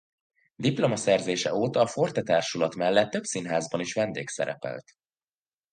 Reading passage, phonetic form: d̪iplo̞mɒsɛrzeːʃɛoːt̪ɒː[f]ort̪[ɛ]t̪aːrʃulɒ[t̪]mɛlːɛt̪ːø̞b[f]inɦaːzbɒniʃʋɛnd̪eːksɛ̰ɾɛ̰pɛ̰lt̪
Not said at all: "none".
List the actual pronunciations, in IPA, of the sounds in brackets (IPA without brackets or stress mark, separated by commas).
f, ɛ, t̪, s